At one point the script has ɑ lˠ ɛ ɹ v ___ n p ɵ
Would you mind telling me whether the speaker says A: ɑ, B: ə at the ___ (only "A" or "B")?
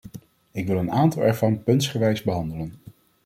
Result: A